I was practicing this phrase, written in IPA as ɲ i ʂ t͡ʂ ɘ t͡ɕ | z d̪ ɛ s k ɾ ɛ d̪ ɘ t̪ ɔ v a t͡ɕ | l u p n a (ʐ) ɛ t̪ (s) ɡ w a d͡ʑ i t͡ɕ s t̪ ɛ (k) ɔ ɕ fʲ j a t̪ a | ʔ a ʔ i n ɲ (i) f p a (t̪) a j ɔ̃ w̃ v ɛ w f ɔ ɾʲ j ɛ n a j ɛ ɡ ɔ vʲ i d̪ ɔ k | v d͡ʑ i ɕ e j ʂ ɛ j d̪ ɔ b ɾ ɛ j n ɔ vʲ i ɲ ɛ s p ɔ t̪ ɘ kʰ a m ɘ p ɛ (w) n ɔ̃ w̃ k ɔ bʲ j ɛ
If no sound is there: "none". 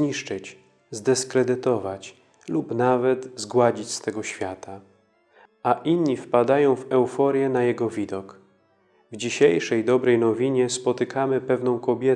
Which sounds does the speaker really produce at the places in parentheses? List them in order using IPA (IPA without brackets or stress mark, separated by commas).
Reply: v, z, ɡ, i, d̪, v